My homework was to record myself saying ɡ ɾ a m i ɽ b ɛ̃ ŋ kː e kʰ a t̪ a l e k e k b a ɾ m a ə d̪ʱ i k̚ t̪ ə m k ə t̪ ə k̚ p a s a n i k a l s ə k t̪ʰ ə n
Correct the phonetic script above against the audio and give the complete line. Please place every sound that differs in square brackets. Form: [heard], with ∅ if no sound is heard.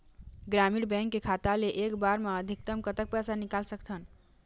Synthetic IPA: ɡ ɾ a m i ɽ b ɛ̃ ŋ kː e kʰ a t̪ a l e [ʔ] e k b a ɾ m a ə d̪ʱ i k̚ t̪ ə m k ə t̪ ə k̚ p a s a n i k a l s ə k t̪ʰ ə n